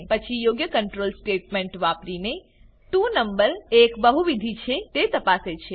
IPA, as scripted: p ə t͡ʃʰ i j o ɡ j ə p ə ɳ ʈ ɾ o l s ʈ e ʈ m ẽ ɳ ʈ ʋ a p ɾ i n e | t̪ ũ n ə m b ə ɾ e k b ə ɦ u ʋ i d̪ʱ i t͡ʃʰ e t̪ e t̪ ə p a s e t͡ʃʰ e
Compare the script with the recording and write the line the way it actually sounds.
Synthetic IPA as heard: p ə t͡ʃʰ i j o ɡ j ə k ə ɳ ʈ ɾ o l s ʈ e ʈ m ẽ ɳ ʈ ʋ a p ɾ i n e | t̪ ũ n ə m b ə ɾ e k b ə ɦ u ʋ i d̪ʱ i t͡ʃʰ e t̪ e t̪ ə p a s e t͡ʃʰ e